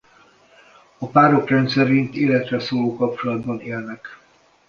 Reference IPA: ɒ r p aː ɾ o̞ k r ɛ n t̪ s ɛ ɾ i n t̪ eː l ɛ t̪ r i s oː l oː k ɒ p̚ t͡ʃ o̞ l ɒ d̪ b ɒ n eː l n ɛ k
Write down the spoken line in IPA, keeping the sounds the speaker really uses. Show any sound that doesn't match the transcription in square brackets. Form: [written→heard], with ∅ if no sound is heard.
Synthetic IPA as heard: ɒ [r→∅] p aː ɾ o̞ k r ɛ n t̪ s ɛ ɾ i n t̪ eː l ɛ t̪ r [i→ɛ] s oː l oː k ɒ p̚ t͡ʃ o̞ l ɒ d̪ b ɒ n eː l n ɛ k